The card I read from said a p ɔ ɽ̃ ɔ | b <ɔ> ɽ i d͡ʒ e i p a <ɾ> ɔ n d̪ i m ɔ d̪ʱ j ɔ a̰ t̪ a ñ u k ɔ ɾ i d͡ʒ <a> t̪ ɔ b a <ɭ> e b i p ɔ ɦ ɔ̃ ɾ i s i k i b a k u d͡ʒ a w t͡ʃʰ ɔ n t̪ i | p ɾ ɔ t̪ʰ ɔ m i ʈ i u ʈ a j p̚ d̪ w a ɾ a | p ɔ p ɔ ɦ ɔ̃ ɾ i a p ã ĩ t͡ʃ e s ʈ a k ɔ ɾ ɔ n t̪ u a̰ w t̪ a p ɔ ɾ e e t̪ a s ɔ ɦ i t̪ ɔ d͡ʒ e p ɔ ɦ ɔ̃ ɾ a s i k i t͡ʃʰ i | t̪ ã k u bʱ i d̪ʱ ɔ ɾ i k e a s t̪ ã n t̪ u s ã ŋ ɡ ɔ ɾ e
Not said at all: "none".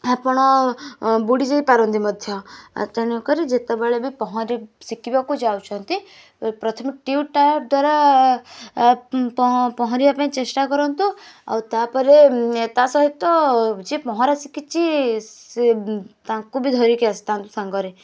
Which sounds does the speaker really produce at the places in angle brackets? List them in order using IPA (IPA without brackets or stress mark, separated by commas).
u, ɾ, e, ɭ